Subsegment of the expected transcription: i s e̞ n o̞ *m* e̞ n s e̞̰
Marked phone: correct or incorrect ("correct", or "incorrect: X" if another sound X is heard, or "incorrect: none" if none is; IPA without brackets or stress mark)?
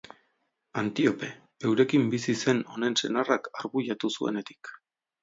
incorrect: n